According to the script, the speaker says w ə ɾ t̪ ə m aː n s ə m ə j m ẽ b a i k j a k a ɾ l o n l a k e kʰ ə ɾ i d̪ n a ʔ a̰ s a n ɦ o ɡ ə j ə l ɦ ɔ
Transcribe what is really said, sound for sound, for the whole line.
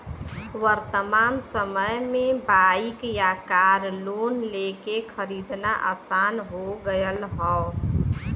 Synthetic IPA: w ə ɾ t̪ ə m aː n s ə m ə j m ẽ b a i k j a k a ɾ l o n l e k e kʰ ə ɾ i d̪ n a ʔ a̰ s a n ɦ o ɡ ə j ə l ɦ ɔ